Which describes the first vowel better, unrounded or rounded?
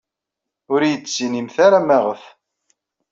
rounded